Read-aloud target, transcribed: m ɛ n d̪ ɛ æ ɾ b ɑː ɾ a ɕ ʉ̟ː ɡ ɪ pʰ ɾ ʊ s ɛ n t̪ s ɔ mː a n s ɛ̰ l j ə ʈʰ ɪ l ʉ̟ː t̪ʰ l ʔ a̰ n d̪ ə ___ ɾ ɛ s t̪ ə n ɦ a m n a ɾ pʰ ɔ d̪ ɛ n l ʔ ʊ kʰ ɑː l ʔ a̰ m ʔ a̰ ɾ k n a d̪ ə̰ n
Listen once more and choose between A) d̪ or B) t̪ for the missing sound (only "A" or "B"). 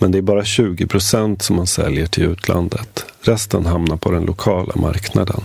B